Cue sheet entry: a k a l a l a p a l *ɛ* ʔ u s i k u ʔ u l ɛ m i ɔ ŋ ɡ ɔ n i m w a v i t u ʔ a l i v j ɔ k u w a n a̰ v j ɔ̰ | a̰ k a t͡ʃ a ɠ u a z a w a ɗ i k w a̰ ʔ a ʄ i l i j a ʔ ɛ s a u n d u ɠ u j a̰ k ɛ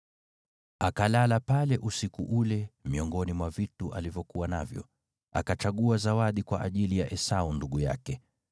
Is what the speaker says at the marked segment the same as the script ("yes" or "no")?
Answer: yes